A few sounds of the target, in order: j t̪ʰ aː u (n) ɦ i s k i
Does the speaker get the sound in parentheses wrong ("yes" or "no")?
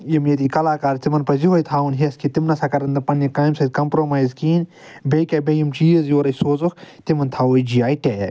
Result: no